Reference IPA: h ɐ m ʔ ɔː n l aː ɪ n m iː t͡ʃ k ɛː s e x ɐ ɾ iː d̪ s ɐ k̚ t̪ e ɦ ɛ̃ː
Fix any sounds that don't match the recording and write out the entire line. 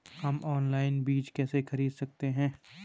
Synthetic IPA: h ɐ m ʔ ɔː n l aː ɪ n b iː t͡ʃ k ɛː s e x ɐ ɾ iː d̪ s ɐ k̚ t̪ e ɦ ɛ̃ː